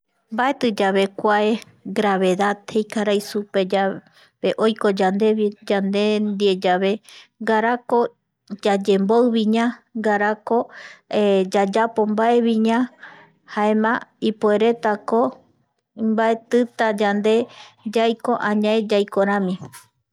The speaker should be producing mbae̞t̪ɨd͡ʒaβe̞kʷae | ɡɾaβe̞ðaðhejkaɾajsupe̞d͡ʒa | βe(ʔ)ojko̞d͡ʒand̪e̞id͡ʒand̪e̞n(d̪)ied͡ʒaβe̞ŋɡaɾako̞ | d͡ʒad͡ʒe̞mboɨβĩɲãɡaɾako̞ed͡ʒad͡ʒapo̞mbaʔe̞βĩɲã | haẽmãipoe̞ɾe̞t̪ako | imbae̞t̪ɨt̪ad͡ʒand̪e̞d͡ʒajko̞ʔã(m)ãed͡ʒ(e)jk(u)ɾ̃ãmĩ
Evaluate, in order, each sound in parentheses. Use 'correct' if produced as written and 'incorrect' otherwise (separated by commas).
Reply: correct, correct, incorrect, incorrect, incorrect